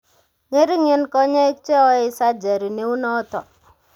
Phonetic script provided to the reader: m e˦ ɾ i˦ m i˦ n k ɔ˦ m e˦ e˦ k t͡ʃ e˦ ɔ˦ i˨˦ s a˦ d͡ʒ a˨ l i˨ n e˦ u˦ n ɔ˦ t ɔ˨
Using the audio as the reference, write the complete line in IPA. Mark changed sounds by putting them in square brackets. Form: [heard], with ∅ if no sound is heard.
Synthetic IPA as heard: [ŋ] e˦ ɾ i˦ [ŋ] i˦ n k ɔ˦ [ɲ] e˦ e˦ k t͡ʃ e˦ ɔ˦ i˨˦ s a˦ d͡ʒ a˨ [ɾ] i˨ n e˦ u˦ n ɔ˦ t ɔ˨